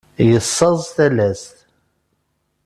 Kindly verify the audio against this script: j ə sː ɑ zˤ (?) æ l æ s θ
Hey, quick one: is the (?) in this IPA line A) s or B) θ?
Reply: B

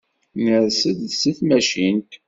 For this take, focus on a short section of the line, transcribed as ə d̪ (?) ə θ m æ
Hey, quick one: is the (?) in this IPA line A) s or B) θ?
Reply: A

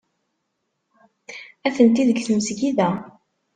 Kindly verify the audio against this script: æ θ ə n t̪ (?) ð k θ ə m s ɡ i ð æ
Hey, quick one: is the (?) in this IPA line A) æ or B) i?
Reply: B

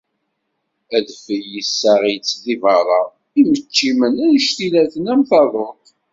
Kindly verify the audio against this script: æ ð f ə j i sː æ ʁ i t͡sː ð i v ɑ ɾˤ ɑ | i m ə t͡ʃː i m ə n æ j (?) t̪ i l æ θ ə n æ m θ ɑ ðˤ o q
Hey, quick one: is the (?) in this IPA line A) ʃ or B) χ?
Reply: A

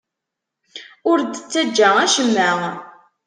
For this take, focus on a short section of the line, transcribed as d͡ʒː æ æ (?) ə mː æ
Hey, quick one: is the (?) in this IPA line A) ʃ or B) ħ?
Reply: A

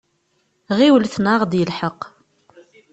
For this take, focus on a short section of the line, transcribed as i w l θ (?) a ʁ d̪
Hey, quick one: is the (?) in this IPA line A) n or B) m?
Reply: A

